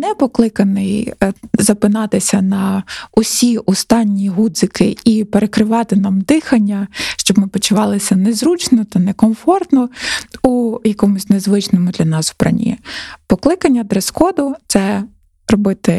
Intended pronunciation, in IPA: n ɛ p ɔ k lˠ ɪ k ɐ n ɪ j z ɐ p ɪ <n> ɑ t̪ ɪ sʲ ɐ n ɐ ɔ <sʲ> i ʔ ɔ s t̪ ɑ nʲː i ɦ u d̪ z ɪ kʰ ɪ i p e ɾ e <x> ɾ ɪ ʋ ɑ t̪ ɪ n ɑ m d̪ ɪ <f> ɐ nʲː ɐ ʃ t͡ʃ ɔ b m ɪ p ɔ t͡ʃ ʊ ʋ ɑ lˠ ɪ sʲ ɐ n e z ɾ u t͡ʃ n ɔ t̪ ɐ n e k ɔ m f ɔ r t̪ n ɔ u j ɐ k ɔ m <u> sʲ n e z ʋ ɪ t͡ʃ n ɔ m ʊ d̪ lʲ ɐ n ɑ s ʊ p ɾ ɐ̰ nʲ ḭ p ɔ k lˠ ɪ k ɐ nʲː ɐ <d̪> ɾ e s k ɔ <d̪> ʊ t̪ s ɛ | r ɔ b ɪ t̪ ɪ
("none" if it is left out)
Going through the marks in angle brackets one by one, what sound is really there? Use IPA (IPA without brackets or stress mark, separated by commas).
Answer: n, sʲ, k, x, ʊ, d̪, d̪